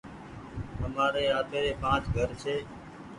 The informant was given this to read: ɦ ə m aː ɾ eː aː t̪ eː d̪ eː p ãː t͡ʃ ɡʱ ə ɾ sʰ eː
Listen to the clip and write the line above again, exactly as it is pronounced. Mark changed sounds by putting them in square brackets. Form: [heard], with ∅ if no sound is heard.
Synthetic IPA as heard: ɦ ə m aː ɾ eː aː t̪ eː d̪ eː p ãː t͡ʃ ɡʱ ə ɾ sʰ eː

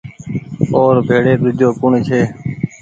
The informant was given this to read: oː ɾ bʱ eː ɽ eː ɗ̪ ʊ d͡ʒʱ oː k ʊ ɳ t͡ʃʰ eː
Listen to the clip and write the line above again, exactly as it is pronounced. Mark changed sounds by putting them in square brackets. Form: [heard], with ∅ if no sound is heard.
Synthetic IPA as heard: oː ɾ bʱ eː ɽ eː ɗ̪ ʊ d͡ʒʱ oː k ʊ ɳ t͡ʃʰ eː

